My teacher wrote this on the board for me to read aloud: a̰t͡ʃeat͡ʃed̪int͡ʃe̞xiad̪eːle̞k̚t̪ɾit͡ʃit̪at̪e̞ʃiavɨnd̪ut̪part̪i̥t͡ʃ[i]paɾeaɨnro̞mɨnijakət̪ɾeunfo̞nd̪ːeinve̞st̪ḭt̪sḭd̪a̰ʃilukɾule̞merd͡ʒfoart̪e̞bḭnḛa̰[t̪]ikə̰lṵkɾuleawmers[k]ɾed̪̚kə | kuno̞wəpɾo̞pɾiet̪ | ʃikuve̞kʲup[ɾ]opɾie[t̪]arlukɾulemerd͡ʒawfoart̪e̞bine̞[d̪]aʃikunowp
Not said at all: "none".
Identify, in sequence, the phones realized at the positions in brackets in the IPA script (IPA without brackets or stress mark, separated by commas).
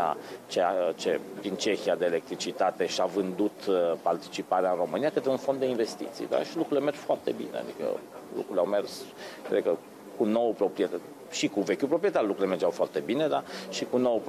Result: i, d̪, k, ɾ, t̪, d̪